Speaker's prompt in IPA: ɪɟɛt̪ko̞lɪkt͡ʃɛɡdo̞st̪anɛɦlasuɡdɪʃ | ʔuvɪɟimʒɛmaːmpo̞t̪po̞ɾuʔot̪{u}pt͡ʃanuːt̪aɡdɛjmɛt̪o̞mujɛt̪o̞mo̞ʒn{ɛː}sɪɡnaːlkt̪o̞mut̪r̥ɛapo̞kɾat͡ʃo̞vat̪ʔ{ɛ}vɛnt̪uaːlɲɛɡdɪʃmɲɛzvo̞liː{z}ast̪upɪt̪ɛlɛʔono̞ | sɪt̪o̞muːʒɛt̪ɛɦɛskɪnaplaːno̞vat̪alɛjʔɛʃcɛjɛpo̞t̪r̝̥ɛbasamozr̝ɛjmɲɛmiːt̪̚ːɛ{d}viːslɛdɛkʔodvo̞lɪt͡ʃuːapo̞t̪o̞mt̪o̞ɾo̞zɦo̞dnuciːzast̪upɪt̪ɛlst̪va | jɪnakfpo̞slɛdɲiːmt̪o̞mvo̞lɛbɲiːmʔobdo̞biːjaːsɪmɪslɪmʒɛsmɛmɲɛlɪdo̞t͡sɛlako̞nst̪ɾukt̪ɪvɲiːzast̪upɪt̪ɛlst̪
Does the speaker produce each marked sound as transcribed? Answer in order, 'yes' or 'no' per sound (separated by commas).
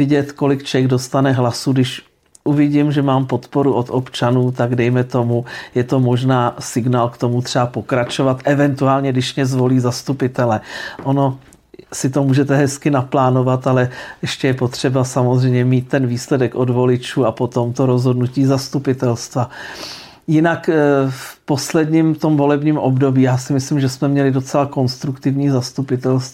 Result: no, no, yes, yes, no